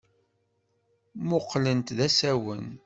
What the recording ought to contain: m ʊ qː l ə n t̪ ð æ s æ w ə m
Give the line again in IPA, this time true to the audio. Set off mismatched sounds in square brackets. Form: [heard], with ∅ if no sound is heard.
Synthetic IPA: m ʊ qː l ə n t̪ ð æ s æ w ə [n]